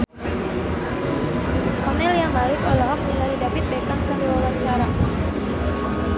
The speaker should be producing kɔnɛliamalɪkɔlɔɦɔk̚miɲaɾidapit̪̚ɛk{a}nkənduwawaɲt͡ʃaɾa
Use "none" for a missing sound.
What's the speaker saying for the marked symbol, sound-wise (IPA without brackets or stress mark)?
a